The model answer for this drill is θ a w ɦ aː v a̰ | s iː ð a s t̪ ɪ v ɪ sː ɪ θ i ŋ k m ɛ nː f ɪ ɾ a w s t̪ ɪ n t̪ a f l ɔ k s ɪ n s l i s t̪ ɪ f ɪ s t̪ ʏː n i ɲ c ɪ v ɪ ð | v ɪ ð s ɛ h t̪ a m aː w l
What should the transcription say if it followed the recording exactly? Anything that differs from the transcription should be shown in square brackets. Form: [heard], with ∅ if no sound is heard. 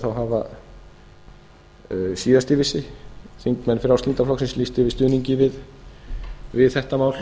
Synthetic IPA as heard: θ a w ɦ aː v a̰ | s iː ð a s t̪ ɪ v ɪ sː ɪ θ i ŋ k m ɛ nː f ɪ ɾ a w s t̪ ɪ n t̪ a f l ɔ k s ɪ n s l i s t̪ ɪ [v] ɪ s t̪ ʏː n i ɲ c ɪ v ɪ ð | v ɪ ð [θ] ɛ h t̪ a m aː w l